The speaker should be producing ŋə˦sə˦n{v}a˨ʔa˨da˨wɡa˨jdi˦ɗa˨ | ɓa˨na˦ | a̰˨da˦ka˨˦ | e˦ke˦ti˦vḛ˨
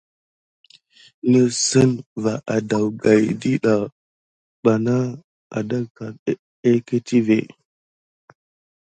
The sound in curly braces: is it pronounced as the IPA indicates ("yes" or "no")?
yes